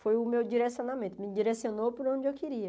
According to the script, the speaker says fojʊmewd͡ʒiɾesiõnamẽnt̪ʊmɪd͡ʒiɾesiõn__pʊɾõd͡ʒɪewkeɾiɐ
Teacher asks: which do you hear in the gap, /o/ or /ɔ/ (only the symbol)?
o